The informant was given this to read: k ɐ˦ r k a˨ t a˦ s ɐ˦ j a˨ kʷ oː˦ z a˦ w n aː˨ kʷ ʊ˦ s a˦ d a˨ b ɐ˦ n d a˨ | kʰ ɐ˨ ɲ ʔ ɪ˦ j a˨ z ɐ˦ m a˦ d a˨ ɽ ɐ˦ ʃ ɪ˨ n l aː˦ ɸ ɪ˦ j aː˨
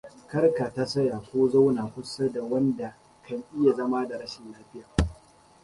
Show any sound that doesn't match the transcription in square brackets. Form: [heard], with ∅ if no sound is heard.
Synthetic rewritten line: k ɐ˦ r k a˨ t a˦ s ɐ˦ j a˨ kʷ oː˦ z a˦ w n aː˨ kʷ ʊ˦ s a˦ d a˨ [w] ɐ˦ n d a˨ | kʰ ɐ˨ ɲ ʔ ɪ˦ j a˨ z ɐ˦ m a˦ d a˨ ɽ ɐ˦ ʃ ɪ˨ n l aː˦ ɸ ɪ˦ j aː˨